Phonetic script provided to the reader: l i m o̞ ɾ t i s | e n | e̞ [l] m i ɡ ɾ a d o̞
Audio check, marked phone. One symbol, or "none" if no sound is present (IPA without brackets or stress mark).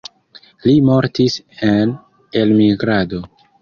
l